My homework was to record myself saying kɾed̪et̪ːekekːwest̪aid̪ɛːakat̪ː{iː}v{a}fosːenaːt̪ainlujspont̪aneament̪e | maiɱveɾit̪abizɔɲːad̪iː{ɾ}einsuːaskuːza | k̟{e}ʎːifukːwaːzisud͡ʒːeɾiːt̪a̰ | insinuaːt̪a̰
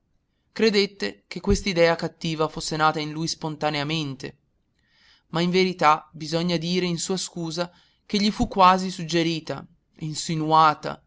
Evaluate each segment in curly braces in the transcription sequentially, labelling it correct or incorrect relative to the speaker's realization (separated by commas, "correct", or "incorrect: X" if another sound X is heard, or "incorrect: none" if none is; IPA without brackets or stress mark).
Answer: correct, correct, correct, correct